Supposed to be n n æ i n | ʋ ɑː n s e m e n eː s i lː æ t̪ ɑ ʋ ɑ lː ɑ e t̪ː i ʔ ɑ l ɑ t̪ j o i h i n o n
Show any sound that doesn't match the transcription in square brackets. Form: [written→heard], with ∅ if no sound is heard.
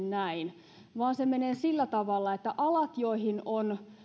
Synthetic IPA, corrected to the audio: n n æ i n | ʋ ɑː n s e m e n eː s i lː æ t̪ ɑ ʋ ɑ lː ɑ e t̪ː [i→æ] ʔ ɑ l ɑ t̪ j o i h i n o n